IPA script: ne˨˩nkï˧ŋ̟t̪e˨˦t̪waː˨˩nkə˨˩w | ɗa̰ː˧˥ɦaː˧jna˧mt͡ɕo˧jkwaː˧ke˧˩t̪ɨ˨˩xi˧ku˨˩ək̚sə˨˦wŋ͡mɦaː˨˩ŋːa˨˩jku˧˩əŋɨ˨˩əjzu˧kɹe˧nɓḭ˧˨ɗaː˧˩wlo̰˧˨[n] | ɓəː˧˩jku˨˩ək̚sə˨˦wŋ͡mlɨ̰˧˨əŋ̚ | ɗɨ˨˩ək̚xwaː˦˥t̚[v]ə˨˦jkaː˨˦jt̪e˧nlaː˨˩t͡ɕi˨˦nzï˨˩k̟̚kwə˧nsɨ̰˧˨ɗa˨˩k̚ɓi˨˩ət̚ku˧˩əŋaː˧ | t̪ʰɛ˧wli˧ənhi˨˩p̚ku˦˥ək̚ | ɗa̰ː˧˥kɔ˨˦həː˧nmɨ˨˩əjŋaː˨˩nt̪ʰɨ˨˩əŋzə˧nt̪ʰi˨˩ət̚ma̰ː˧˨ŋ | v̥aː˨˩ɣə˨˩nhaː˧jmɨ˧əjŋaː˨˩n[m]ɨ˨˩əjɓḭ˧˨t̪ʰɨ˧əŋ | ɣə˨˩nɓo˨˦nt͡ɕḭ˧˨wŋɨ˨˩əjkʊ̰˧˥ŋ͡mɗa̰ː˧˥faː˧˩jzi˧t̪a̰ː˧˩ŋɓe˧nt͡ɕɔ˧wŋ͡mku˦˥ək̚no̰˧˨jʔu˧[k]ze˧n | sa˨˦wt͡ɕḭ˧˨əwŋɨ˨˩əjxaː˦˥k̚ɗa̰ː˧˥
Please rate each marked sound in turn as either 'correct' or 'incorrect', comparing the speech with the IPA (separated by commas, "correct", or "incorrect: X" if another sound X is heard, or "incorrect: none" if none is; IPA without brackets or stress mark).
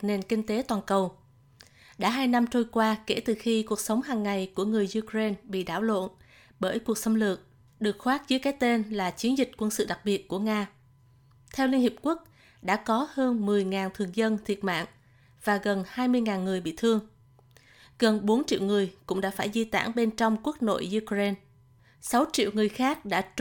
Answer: correct, incorrect: z, incorrect: ŋ, correct